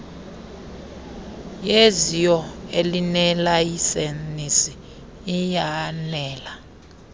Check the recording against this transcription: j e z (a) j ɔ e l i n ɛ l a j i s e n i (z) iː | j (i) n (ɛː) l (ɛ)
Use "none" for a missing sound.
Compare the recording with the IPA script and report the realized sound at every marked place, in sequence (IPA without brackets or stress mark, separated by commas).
i, s, a, ɛː, a